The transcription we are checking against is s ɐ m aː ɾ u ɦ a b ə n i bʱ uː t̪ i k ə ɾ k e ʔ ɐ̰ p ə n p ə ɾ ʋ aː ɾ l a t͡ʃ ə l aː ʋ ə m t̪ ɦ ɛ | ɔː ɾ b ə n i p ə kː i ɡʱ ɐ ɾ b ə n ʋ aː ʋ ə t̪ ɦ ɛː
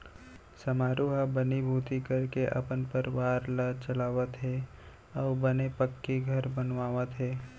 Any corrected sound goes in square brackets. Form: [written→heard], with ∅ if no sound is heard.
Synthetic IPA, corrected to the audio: s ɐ m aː ɾ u ɦ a b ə n i bʱ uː t̪ i k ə ɾ k e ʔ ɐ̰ p ə n p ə ɾ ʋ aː ɾ l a t͡ʃ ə l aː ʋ ə [m→∅] t̪ ɦ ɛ | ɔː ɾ b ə n [i→e] p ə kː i ɡʱ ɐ ɾ b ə n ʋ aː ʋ ə t̪ ɦ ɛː